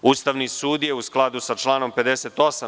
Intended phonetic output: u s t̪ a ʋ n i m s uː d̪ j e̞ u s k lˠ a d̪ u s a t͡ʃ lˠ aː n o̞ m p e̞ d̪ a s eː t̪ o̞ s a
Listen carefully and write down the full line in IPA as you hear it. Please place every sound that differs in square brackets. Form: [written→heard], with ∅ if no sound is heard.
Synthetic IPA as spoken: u s t̪ a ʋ n i [m→∅] s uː d̪ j e̞ u s k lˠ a d̪ u s a t͡ʃ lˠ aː n o̞ m p e̞ d̪ [a→e] s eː t̪ o̞ s a